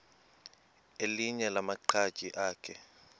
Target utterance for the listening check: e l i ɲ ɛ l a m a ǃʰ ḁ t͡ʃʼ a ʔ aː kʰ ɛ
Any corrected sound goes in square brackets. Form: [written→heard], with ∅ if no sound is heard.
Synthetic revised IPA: e l i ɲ ɛ l a m a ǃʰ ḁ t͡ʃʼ [a→i] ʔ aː kʰ ɛ